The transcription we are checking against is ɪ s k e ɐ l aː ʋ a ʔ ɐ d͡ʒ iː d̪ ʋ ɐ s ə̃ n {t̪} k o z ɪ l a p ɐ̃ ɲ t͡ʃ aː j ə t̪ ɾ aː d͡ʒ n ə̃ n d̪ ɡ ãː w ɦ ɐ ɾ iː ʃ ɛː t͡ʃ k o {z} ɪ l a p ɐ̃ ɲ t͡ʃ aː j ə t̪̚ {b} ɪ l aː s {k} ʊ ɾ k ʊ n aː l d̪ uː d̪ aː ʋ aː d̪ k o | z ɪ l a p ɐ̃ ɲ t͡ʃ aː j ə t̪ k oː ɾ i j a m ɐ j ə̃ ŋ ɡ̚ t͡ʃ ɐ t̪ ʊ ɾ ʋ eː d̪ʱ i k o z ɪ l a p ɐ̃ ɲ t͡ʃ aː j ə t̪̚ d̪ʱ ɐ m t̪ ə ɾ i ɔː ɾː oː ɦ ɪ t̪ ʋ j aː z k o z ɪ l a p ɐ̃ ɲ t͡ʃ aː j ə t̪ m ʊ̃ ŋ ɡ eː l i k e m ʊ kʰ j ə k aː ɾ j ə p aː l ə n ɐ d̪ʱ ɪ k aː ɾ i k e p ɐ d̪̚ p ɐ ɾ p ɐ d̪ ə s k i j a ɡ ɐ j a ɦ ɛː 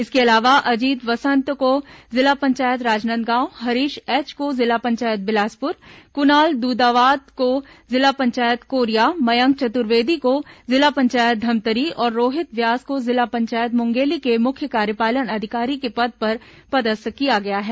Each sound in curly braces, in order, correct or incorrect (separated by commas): correct, correct, correct, incorrect